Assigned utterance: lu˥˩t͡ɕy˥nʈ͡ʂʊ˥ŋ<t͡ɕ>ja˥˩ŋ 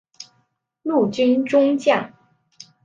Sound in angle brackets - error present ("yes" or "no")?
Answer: no